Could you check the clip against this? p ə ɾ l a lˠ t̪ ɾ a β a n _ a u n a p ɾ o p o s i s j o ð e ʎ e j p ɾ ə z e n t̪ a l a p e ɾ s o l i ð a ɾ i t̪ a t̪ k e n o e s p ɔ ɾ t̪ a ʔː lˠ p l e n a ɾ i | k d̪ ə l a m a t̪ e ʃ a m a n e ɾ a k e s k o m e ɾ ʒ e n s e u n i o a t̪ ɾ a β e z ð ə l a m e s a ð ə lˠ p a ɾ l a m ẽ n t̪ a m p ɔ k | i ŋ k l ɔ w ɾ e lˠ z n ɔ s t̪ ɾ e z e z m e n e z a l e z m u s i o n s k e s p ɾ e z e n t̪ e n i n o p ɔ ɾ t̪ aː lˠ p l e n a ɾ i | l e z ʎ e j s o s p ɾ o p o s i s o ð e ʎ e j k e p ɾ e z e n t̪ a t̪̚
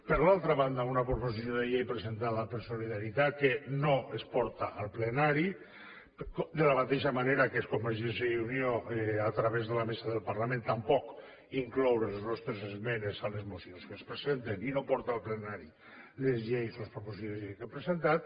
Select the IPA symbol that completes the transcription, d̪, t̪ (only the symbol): d̪